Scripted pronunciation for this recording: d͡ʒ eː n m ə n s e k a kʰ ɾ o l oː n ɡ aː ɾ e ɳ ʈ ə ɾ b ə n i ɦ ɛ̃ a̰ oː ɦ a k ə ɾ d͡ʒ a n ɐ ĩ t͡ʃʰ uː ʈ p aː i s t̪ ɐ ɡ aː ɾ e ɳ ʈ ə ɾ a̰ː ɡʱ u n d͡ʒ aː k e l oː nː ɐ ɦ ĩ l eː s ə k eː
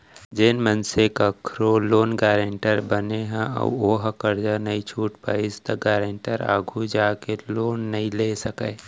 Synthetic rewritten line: d͡ʒ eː n m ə n s e k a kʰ ɾ o l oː n ɡ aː ɾ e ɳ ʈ ə ɾ b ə n e ɦ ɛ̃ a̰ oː ɦ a k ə ɾ d͡ʒ a n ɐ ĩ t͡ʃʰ uː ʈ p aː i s t̪ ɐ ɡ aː ɾ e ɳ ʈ ə ɾ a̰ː ɡʱ u d͡ʒ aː k e l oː nː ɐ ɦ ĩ l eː s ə k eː